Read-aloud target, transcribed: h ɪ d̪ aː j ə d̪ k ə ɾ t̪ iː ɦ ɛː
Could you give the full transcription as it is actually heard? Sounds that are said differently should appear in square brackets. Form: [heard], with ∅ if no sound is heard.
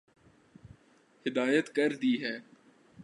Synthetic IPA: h ɪ d̪ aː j ə [t̪] k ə ɾ [d̪] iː ɦ ɛː